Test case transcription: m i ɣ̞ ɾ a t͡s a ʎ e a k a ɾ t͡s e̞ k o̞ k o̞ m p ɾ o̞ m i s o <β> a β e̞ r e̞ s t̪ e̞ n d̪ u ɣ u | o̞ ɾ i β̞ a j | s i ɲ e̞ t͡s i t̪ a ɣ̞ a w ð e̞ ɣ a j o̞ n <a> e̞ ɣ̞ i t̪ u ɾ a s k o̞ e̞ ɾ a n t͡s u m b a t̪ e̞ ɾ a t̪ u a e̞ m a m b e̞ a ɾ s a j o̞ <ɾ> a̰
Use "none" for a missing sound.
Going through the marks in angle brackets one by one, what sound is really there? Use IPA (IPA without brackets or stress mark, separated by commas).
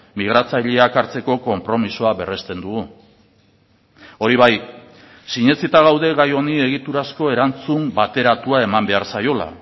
none, i, l